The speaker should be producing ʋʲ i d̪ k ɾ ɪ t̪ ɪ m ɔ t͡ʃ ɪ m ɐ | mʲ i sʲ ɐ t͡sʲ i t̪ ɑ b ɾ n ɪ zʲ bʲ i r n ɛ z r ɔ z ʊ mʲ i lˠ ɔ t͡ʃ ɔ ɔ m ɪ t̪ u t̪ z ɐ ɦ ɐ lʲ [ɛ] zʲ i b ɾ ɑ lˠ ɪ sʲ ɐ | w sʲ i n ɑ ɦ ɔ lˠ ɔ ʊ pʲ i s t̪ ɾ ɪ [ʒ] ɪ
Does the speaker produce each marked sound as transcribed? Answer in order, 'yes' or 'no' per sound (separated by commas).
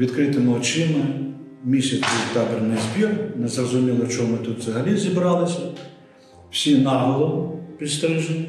no, yes